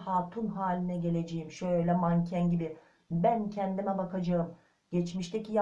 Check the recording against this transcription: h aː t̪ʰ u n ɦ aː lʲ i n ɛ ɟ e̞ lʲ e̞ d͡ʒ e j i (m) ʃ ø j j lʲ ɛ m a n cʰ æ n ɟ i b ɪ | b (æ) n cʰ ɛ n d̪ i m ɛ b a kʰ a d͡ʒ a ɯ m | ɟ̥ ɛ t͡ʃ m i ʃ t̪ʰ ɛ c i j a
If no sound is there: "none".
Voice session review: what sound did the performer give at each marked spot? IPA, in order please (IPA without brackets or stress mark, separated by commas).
m, æ